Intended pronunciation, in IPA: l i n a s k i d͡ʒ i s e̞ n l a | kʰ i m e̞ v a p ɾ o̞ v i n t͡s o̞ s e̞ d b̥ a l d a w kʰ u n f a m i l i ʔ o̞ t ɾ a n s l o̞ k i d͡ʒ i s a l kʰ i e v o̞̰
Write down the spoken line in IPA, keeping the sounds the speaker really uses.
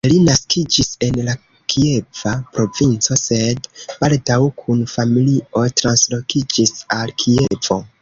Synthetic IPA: l i n a s k i d͡ʒ i s e̞ n l a | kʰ i e̞ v a p ɾ o̞ v i n t͡s o̞ s e̞ d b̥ a l d a w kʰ u n f a m i l i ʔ o̞ t ɾ a n s l o̞ k i d͡ʒ i s a l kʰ i e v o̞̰